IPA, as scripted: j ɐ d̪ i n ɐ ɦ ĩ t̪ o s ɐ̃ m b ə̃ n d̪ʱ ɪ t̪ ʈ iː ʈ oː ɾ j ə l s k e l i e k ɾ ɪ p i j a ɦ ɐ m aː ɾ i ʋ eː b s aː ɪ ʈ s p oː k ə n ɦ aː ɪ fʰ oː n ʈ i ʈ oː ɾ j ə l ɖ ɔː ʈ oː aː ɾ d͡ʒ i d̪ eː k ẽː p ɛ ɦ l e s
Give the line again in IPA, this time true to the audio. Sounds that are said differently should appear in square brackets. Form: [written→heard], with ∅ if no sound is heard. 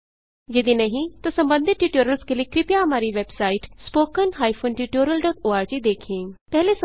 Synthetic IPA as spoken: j ɐ d̪ i n ɐ ɦ ĩ t̪ o s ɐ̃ m b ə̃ n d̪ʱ ɪ t̪ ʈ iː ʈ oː ɾ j ə l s k e l i e k ɾ ɪ p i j a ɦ ɐ m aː ɾ i ʋ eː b s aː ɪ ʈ s p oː k ə n ɦ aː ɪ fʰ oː n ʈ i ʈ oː ɾ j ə l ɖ ɔː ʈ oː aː ɾ d͡ʒ i d̪ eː [k→kʰ] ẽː p ɛ ɦ l e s